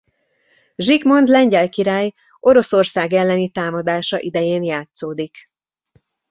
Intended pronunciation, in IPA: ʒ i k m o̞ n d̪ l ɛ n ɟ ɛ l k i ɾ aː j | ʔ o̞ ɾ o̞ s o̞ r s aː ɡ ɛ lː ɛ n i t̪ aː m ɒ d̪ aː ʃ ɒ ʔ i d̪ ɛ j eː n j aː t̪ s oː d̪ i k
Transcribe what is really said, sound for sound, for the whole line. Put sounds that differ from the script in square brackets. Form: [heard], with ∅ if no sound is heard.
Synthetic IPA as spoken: ʒ i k m o̞ n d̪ l ɛ [ɲ] ɟ ɛ l k i ɾ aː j | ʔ o̞ ɾ o̞ s o̞ r s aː ɡ ɛ lː ɛ n i t̪ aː m ɒ d̪ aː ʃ ɒ ʔ i d̪ ɛ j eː n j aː t̪ s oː d̪ i k

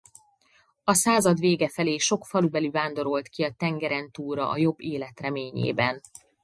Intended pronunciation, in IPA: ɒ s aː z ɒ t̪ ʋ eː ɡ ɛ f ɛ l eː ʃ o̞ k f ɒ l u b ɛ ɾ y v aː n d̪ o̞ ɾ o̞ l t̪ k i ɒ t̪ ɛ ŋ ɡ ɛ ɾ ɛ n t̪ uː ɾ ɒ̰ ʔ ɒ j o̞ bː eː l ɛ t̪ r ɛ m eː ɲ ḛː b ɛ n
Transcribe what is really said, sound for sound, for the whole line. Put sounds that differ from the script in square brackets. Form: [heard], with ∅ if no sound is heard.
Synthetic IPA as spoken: ɒ s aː z ɒ [d̪] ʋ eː ɡ ɛ f ɛ l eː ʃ o̞ k f ɒ l u b ɛ [l] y v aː n d̪ o̞ ɾ o̞ l t̪ k i ɒ t̪ ɛ ŋ ɡ ɛ ɾ ɛ n t̪ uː ɾ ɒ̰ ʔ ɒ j o̞ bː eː l ɛ t̪ r ɛ m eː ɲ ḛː b ɛ n

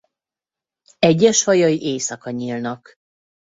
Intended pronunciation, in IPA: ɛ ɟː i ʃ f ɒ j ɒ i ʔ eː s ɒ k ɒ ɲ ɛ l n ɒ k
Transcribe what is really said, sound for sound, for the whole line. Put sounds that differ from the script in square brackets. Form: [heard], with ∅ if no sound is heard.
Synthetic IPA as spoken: ɛ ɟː [ɛ] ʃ [h] ɒ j ɒ i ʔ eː s ɒ k ɒ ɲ [i] l n ɒ k

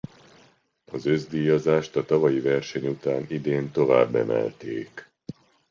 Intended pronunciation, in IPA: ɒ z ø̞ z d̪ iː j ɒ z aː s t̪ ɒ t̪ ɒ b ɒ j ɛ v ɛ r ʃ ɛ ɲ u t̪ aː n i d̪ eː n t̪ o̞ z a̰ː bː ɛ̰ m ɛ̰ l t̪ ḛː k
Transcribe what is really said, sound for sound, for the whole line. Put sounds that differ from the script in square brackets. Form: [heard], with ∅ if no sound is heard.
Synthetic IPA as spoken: ɒ z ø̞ z d̪ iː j ɒ z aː [ʃ] t̪ ɒ t̪ ɒ [v] ɒ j [i] v ɛ r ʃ ɛ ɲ u t̪ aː n i d̪ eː n t̪ o̞ [v] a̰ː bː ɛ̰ m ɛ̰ l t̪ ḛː k

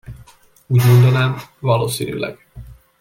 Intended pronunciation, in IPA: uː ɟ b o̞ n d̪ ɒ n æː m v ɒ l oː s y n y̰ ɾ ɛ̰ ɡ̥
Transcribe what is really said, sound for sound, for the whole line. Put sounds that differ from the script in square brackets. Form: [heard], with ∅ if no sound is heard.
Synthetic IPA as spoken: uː ɟ [m] o̞ n d̪ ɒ n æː m v ɒ l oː s [i] n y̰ [l] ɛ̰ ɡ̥

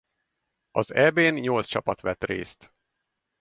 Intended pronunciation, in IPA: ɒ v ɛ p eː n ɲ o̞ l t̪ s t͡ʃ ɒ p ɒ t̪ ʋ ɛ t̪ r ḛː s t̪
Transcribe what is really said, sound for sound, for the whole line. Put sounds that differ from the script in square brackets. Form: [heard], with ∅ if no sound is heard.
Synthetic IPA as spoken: ɒ [z] ɛ [b] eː n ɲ o̞ l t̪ s t͡ʃ ɒ p ɒ t̪ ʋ ɛ t̪ r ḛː s t̪

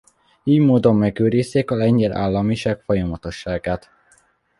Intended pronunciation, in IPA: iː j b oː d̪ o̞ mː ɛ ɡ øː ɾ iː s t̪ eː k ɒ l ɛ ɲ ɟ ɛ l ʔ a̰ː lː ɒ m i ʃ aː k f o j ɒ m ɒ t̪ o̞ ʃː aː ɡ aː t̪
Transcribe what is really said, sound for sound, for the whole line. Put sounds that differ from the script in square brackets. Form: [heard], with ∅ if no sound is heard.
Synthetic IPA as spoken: iː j [m] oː d̪ o̞ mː ɛ ɡ øː ɾ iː s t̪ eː k ɒ l ɛ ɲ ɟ ɛ l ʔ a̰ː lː ɒ m i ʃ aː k f o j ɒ m ɒ t̪ o̞ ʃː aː ɡ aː t̪

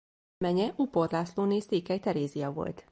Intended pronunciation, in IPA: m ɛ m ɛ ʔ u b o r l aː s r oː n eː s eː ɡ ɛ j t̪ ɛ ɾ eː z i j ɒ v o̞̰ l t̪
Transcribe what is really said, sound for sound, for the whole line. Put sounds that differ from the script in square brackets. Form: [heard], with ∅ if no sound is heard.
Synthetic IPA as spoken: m ɛ [ɲ] ɛ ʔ u [p] o r l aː s [l] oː n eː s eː [k] ɛ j t̪ ɛ ɾ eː z i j ɒ v o̞̰ l t̪

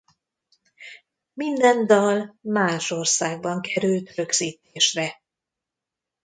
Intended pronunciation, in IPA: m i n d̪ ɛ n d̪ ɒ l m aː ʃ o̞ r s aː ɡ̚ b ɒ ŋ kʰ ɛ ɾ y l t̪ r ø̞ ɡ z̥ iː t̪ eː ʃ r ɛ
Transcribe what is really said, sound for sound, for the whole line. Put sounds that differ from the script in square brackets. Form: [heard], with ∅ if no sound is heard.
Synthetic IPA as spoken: m i n d̪ ɛ n d̪ ɒ l m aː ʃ o̞ r s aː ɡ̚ b ɒ ŋ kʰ ɛ ɾ y l t̪ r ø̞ ɡ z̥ iː t̪ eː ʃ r ɛ

